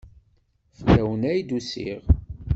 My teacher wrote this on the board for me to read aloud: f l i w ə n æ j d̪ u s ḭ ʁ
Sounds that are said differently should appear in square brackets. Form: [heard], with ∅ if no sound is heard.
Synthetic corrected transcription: f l [æ] w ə n æ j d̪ u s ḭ ʁ

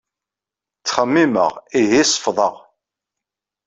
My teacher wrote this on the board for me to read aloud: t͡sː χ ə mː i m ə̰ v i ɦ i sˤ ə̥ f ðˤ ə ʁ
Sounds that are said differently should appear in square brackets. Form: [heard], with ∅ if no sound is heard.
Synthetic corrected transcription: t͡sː χ ə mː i m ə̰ [ʁ] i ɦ i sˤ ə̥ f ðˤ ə ʁ

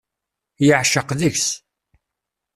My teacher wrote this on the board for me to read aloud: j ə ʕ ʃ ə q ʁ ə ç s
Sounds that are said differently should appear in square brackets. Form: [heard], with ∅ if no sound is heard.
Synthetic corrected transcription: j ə ʕ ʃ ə q [ð] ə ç s

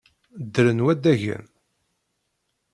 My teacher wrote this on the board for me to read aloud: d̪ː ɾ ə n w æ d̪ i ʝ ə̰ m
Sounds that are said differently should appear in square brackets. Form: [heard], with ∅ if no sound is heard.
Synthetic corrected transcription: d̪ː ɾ ə n w æ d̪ [æ] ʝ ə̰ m

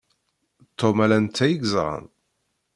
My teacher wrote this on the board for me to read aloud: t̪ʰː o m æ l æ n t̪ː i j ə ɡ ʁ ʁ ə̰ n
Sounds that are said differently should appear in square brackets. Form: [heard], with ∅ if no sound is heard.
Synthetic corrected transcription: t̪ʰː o m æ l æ n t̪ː [æ] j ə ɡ [z] ʁ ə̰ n

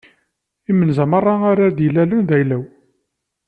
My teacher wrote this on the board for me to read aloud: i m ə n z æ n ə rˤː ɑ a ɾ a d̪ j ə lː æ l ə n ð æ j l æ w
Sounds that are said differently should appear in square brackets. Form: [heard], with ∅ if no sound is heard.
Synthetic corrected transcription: i m ə n z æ [m] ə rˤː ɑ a ɾ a d̪ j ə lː æ l ə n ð æ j l æ w

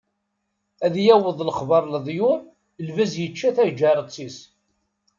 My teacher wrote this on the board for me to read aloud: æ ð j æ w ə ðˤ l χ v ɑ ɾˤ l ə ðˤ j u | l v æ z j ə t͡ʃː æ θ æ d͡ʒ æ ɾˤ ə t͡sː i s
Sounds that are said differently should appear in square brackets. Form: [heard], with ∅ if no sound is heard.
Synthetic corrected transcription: æ ð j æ w ə ðˤ l χ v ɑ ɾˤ l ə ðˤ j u | l v æ z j ə t͡ʃː æ θ æ d͡ʒ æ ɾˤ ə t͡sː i s

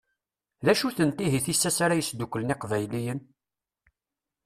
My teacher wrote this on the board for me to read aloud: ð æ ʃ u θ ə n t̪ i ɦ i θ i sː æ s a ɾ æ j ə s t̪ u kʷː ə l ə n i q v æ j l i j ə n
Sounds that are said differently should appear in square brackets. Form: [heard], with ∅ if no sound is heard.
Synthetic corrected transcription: ð æ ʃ u θ ə n t̪ i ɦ i θ i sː æ s a ɾ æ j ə s [d̪] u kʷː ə l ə n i q v æ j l i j ə n

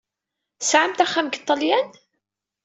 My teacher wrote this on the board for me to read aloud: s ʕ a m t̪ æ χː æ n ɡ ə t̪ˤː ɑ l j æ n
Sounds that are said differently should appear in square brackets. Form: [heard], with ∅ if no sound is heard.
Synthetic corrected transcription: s ʕ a m t̪ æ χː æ [m] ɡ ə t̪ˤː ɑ l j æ n

